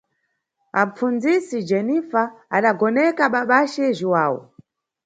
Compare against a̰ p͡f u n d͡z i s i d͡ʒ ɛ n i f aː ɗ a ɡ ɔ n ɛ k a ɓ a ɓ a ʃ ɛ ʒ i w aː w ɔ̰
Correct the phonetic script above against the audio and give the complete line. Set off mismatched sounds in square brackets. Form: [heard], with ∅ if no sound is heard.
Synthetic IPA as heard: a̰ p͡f u n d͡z i s i d͡ʒ ɛ n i f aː ɗ a ɡ ɔ n ɛ k a ɓ a ɓ a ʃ ɛ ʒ i w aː w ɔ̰